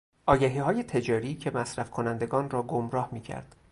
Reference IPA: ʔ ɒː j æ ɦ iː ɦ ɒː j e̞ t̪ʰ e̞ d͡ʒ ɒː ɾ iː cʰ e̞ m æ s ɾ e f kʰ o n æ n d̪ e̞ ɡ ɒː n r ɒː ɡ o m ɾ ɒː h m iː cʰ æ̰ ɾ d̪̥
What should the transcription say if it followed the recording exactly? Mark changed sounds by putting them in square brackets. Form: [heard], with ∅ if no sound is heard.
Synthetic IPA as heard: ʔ ɒː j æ ɦ iː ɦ ɒː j e̞ t̪ʰ e̞ d͡ʒ ɒː ɾ iː cʰ e̞ m æ s ɾ [æ] f kʰ o n æ n d̪ e̞ ɡ ɒː n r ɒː ɡ o m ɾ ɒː h m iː cʰ æ̰ ɾ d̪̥